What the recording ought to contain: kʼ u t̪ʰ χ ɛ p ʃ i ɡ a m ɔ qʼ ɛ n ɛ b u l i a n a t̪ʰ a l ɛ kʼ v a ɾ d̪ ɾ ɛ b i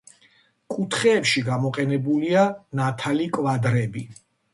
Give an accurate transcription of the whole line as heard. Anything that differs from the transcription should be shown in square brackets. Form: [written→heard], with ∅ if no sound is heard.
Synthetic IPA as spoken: kʼ u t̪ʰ χ [ɛ→ɛː] p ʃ i ɡ a m ɔ qʼ ɛ n ɛ b u l i a n a t̪ʰ a l [ɛ→i] kʼ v a [ɾ→∅] d̪ ɾ ɛ b i